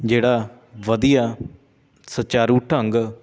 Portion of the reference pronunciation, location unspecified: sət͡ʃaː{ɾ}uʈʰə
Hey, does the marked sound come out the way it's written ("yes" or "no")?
yes